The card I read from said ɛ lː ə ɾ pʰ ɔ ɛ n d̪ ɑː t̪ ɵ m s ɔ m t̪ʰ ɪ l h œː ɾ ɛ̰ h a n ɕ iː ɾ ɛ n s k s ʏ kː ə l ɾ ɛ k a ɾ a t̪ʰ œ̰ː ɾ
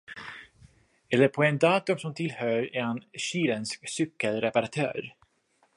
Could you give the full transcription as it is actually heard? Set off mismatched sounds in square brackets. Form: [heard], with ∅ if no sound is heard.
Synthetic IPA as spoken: ɛ lː ə ɾ pʰ ɔ ɛ n d̪ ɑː t̪ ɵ m s ɔ m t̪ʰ ɪ l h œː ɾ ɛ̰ h a n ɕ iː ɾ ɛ n s k s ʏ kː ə l ɾ ɛ [p] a ɾ a t̪ʰ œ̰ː ɾ